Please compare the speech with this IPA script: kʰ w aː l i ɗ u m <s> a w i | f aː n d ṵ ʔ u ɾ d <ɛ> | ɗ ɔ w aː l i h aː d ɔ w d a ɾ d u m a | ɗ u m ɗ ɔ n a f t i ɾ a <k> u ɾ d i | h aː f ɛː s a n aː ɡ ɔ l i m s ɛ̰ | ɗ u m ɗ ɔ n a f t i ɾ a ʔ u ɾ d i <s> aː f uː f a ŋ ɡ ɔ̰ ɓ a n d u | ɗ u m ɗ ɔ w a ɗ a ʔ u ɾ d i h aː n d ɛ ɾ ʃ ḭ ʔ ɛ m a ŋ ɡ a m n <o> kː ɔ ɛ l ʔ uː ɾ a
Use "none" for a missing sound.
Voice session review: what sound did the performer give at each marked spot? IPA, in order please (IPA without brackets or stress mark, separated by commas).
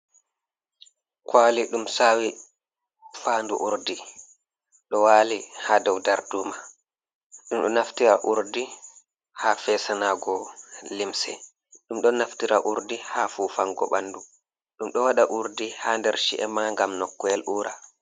s, i, ʔ, h, ɔ